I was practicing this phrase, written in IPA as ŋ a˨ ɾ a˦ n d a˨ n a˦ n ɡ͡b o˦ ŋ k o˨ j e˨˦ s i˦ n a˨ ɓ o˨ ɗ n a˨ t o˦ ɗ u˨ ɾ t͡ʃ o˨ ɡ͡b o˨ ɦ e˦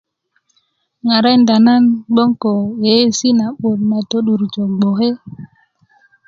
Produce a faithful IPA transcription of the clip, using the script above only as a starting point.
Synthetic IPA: ŋ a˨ ɾ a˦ n d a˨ n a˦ n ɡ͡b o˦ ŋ k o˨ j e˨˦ s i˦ n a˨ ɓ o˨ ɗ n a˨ t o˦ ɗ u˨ ɾ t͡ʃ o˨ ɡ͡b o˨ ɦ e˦

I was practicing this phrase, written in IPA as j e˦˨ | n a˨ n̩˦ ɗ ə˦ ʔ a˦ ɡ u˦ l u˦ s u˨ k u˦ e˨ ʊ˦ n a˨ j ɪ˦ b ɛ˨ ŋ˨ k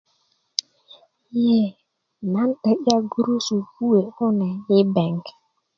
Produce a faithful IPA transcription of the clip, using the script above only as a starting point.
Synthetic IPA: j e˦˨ | n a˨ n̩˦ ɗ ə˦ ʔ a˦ ɡ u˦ ɾ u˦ s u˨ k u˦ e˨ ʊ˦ n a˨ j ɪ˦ b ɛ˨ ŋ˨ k

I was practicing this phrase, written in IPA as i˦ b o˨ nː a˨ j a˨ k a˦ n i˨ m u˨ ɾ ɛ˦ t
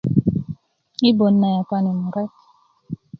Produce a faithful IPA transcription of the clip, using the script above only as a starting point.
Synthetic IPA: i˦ b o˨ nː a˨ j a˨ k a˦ n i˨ m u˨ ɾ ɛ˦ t

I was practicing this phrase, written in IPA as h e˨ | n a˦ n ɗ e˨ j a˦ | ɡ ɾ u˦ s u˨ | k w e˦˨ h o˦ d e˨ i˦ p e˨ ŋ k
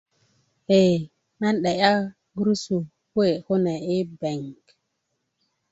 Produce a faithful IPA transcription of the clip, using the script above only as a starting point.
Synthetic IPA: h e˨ | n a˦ n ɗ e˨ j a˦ | ɡ ɾ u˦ s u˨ | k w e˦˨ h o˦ n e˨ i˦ b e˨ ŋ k

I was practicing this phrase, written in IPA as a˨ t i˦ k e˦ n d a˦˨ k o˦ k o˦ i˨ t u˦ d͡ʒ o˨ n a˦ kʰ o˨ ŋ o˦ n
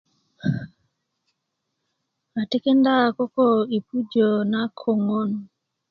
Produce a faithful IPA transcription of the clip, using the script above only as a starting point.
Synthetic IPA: a˨ t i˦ k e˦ n d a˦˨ k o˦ k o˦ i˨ p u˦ d͡ʒ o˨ n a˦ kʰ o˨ ŋ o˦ n

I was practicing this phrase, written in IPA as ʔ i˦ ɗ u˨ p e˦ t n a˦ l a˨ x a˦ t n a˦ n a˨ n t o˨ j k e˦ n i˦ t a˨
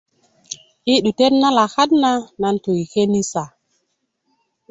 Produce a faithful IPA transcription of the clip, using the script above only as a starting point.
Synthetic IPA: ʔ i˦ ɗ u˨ t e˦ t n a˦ l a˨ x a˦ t n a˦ n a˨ n t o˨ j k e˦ n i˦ s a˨

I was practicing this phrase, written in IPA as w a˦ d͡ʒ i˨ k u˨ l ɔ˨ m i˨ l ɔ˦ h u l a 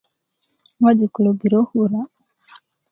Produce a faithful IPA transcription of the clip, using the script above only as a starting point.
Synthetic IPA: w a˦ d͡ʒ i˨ k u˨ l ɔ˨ b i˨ ɾ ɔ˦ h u ɾ a

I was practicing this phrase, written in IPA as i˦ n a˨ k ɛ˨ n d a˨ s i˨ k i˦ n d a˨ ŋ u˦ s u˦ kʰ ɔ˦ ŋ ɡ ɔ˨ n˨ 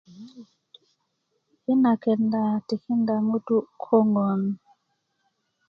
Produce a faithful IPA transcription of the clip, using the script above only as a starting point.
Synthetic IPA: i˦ n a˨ k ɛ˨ n d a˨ t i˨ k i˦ n d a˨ ŋ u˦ t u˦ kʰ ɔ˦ ŋ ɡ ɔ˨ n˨

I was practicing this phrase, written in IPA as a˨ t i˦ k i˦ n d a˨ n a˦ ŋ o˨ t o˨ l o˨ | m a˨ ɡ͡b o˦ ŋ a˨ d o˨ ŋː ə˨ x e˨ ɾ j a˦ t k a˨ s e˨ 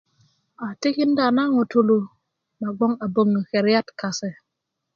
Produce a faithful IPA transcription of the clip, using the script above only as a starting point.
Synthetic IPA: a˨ t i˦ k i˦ n d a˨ n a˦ ŋ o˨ t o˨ l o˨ | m a˨ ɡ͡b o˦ ŋ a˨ b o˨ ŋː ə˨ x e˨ ɾ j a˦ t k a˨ s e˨

